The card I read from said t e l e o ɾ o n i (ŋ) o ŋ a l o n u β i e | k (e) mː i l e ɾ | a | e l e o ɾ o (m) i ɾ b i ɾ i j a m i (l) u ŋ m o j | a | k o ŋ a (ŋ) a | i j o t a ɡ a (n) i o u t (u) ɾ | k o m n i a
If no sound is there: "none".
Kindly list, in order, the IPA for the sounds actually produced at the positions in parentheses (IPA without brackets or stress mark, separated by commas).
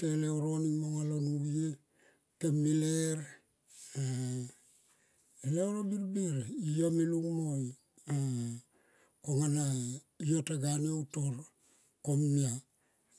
m, e, b, l, n, n, o